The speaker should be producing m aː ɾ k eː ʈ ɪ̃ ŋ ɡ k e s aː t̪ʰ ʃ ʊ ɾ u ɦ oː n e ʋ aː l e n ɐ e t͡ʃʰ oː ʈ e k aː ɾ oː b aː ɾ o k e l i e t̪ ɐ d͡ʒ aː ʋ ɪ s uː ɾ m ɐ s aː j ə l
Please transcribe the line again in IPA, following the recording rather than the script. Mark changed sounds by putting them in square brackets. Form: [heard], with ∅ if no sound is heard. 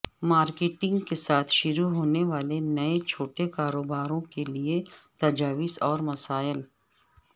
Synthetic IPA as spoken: m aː ɾ k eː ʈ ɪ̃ ŋ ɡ k e s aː t̪ʰ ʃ ʊ ɾ u ɦ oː n e ʋ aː l e n ɐ e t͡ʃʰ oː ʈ e k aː ɾ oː b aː ɾ [õ] k e l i e t̪ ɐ d͡ʒ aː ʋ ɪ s [ɔː] ɾ m ɐ s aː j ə l